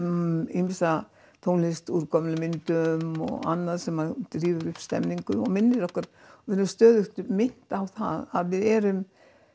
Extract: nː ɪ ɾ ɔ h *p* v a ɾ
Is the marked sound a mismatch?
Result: yes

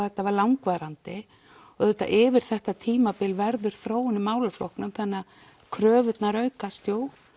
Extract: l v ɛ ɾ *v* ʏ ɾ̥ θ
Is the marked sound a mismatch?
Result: yes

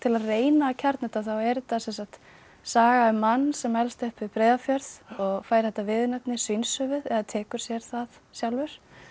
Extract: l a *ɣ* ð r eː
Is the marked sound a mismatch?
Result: yes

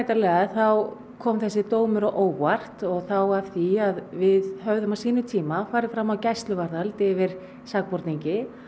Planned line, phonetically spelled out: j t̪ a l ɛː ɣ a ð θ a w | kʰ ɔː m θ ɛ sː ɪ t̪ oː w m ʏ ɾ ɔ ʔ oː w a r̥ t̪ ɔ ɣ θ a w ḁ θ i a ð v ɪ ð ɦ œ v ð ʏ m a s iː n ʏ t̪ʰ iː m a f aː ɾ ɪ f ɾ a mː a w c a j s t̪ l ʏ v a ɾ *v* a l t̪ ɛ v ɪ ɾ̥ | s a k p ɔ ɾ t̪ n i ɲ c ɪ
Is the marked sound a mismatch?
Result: yes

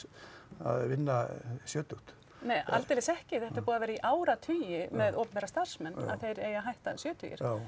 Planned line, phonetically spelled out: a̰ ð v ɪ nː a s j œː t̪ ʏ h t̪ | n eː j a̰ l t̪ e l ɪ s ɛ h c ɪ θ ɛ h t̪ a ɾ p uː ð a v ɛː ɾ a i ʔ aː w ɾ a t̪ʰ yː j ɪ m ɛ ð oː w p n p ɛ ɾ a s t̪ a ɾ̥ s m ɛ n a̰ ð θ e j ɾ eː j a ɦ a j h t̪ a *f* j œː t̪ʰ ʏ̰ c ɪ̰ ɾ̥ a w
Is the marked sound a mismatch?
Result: yes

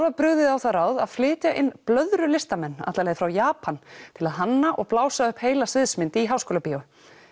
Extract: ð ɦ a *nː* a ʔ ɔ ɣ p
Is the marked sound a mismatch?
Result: no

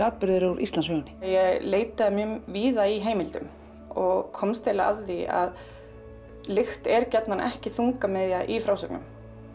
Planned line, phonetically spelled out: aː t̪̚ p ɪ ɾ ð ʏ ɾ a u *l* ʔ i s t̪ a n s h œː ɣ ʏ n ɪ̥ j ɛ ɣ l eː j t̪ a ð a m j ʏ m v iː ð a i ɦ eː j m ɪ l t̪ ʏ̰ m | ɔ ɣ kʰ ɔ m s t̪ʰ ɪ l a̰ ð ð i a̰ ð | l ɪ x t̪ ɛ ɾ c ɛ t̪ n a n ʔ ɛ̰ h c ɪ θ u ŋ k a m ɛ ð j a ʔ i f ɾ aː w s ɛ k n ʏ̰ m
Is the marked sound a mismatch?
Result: yes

